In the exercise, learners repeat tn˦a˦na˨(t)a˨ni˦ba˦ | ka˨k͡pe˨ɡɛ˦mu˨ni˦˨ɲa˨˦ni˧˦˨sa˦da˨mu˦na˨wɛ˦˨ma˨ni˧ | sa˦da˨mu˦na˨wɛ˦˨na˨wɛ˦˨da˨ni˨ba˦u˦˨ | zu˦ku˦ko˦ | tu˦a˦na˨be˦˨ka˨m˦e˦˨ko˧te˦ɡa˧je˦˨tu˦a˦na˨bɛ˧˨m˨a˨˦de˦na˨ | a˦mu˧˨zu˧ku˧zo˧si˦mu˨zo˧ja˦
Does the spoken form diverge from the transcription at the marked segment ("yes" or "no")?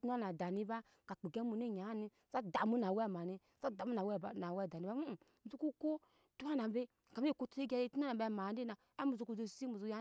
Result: yes